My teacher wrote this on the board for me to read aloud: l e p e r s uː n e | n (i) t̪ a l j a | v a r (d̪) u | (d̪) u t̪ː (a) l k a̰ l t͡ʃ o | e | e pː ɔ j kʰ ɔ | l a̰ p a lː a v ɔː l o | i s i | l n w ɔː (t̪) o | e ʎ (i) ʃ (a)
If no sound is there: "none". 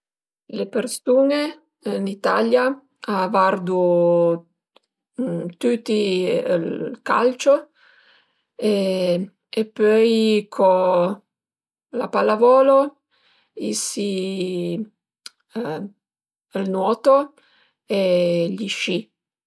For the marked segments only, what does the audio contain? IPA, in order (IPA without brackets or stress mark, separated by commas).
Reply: i, d̪, t̪, i, t̪, i, i